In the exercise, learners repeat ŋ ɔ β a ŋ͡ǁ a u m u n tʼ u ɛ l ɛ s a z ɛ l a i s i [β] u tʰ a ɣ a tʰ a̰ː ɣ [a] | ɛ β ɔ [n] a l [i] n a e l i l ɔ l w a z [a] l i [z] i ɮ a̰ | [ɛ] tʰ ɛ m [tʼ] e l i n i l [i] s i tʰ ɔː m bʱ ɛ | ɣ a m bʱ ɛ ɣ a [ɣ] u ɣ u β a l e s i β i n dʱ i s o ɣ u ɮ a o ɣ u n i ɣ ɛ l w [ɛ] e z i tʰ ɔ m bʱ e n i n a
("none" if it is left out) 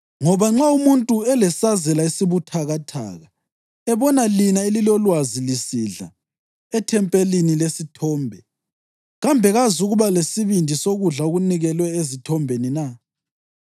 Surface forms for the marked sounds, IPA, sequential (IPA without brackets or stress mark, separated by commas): β, a, n, i, i, s, ɛ, pʼ, e, z, ɛ